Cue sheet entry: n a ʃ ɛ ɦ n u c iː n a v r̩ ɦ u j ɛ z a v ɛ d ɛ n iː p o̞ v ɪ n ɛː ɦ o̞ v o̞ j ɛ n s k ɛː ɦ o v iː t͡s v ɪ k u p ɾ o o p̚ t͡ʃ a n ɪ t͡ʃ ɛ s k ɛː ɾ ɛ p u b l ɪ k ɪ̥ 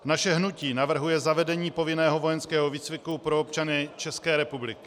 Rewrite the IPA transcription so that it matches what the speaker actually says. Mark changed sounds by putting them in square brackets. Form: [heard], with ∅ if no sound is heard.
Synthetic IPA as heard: n a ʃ ɛ ɦ n u c iː n a v r̩ ɦ u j ɛ z a v ɛ d ɛ [ɲ] iː p o̞ v ɪ n ɛː ɦ o̞ v o̞ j ɛ n s k ɛː ɦ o v iː t͡s v ɪ k u p ɾ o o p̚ t͡ʃ a n ɪ t͡ʃ ɛ s k ɛː ɾ ɛ p u b l ɪ k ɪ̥

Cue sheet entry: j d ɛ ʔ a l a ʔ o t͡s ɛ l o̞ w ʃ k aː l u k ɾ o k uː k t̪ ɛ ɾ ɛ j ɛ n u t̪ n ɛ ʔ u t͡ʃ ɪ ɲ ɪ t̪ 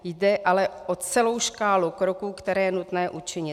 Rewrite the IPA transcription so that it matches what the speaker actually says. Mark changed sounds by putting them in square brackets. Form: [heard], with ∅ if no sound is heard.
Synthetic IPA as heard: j d ɛ ʔ a l [ɛ] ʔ o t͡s ɛ l o̞ w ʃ k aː l u k ɾ o k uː k t̪ ɛ ɾ [ɛː] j ɛ n u t̪ n [ɛː] ʔ u t͡ʃ ɪ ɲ ɪ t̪

